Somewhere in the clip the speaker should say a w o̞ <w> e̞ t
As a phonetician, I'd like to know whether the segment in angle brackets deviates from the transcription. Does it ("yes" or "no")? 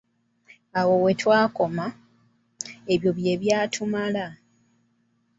no